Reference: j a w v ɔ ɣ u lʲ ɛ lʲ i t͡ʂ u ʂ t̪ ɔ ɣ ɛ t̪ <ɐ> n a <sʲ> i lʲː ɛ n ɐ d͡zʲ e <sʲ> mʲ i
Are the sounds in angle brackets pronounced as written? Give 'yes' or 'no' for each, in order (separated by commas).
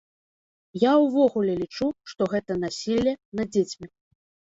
yes, yes, no